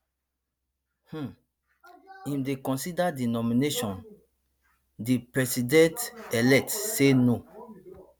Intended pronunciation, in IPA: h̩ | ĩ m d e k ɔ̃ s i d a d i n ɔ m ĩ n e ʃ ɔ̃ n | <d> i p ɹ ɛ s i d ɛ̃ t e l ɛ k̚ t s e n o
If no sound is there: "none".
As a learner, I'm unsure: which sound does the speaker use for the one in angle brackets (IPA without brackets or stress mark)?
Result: d